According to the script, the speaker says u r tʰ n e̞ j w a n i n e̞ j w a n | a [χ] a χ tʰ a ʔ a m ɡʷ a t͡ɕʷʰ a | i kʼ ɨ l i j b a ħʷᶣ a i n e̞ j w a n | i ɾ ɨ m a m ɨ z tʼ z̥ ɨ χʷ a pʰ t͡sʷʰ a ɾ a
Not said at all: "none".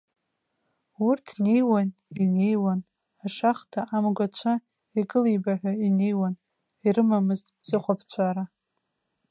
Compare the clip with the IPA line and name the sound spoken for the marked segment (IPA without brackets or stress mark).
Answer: ʂ